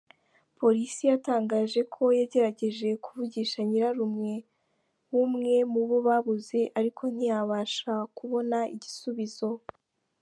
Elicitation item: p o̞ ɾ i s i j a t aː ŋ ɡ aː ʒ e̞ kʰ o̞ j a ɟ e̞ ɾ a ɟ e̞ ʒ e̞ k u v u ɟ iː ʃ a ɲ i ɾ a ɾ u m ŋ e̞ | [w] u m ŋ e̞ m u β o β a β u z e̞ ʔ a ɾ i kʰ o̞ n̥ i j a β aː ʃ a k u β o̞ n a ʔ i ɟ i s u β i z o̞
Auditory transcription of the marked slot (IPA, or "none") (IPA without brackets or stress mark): w